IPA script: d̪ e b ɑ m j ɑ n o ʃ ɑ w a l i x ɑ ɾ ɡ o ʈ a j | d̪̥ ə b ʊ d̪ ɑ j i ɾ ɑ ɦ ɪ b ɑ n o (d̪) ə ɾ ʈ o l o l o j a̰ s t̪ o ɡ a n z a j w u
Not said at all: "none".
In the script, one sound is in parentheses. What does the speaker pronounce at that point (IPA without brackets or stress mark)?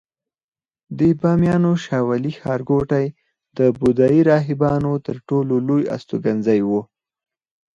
t̪